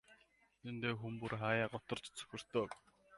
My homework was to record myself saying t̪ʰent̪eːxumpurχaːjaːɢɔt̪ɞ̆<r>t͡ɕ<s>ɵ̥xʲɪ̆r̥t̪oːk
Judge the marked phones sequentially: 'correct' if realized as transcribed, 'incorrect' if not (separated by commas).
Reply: correct, incorrect